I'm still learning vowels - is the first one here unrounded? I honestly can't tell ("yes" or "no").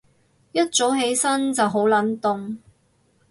yes